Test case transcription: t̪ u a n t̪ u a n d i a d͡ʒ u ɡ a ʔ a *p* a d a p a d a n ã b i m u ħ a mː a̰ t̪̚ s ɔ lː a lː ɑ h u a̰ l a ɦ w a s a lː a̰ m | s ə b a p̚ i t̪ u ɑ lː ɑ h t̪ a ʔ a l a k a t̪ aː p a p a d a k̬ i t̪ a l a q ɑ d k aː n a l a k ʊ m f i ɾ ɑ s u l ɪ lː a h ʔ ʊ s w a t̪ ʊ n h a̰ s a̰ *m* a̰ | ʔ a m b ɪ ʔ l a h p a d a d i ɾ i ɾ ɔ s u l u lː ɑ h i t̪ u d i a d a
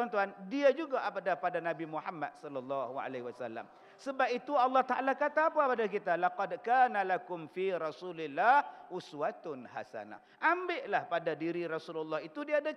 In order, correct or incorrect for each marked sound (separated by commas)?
correct, incorrect